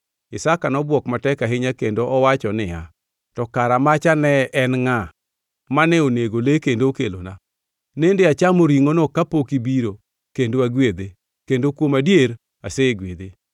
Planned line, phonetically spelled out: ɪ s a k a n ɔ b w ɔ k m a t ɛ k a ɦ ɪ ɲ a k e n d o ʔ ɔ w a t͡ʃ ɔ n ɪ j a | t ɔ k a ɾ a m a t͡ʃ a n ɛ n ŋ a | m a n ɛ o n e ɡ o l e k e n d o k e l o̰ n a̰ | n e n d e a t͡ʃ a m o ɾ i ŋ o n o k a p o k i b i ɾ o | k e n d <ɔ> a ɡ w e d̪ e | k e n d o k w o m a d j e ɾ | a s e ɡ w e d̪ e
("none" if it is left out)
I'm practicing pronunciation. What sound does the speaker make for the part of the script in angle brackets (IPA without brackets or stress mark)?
o